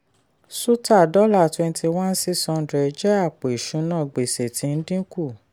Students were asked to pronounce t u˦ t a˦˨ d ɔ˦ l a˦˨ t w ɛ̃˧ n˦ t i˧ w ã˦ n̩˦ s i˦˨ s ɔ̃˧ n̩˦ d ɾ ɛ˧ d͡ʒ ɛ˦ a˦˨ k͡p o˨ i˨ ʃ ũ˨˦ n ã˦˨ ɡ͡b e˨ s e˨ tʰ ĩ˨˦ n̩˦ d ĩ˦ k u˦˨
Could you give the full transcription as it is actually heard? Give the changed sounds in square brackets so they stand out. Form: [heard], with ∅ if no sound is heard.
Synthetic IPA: [s] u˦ t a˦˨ d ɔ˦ l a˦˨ t w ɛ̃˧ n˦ t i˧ w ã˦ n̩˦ s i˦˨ s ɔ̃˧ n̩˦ d ɾ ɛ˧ d͡ʒ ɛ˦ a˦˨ k͡p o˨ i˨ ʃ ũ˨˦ n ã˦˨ ɡ͡b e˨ s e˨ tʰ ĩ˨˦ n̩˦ d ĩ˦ k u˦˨